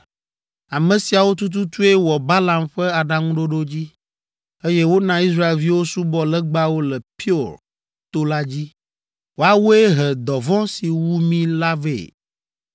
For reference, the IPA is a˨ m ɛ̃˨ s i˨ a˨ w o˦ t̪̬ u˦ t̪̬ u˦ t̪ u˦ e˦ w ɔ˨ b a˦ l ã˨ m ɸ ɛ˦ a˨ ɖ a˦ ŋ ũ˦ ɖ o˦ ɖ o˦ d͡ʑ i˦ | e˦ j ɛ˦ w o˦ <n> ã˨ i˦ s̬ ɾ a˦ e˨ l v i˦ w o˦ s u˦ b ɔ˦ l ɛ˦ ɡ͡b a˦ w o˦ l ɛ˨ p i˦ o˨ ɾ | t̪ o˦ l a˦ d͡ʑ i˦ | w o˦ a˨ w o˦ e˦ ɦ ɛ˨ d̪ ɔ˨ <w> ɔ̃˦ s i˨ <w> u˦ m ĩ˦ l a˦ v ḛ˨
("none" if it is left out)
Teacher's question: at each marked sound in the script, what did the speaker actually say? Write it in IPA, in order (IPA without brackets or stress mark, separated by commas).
n, v, w